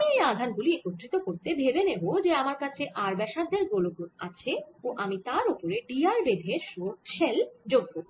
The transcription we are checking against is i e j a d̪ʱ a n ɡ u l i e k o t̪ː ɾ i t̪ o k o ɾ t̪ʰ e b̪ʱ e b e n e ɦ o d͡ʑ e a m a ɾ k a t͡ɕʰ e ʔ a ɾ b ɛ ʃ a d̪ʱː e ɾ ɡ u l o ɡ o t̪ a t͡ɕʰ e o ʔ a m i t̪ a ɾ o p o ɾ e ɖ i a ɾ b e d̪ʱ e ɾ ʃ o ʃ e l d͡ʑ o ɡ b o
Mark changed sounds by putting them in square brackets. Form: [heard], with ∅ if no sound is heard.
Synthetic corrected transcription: i e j a d̪ʱ a n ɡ u l i e k o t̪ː ɾ i t̪ o k o ɾ [t̪] e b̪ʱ e b e n e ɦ o d͡ʑ e a m a ɾ k a t͡ɕʰ e ʔ a ɾ b ɛ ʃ a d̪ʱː e ɾ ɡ [o] l o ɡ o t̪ a t͡ɕʰ e o ʔ a m i t̪ a ɾ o p o ɾ e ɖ i a ɾ b e d̪ʱ e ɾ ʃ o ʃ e l d͡ʑ o ɡ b o